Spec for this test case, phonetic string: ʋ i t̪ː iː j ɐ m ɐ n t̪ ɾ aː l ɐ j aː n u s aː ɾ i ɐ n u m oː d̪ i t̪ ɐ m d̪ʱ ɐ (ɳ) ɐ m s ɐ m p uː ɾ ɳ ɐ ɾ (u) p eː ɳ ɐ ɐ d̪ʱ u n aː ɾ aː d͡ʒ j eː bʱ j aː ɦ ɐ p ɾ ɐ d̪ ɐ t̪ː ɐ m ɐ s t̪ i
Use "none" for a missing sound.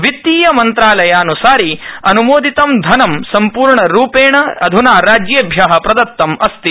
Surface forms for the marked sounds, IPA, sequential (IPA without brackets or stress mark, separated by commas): n, uː